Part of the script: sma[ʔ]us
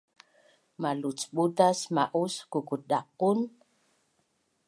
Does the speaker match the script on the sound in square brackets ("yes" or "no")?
yes